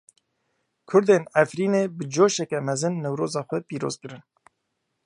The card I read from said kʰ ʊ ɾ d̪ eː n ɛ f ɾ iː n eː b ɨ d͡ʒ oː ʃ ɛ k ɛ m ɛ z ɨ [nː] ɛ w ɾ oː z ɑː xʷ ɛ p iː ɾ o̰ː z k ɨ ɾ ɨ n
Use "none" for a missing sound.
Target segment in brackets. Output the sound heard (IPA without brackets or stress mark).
nː